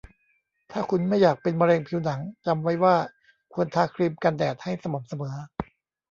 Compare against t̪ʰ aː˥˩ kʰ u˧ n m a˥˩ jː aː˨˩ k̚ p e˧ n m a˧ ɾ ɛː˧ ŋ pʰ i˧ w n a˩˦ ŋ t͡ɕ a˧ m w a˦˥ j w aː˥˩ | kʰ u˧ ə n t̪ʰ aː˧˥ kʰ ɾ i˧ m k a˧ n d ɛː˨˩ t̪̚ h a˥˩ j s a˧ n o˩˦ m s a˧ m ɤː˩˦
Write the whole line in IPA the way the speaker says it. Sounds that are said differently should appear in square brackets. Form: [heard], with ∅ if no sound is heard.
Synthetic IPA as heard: t̪ʰ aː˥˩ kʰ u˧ n m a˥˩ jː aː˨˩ k̚ p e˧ n m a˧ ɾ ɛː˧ ŋ pʰ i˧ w n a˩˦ ŋ t͡ɕ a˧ m w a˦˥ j w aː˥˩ | kʰ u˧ ə n t̪ʰ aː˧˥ kʰ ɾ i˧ m k a˧ n d ɛː˨˩ t̪̚ h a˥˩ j s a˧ [m] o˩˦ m s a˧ m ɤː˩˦